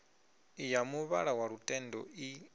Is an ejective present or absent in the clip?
present